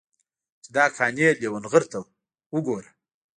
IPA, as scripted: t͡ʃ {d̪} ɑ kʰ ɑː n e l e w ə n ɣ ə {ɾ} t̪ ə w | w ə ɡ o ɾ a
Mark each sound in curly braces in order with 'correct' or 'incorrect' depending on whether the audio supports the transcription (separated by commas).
correct, correct